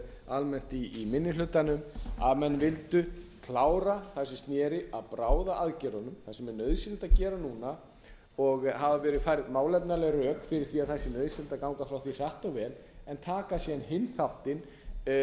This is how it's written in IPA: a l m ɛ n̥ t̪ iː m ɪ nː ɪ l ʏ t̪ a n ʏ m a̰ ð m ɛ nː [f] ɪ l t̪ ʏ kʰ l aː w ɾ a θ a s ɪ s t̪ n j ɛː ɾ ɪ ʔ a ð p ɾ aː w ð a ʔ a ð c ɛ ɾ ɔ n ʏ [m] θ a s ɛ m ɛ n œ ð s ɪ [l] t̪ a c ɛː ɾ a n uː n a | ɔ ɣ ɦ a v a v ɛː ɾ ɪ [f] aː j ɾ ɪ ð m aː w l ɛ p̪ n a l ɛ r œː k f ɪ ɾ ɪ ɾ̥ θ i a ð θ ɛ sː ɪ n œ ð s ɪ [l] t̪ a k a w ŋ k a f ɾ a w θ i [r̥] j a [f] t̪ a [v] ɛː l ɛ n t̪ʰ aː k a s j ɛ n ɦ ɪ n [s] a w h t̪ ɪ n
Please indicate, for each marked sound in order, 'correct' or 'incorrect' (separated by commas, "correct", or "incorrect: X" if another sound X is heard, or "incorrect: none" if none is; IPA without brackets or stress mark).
incorrect: v, correct, correct, correct, correct, correct, incorrect: h, correct, incorrect: θ